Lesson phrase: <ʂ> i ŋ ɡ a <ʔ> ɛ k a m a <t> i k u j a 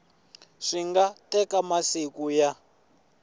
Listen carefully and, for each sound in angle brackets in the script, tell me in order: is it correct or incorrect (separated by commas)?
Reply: correct, incorrect, incorrect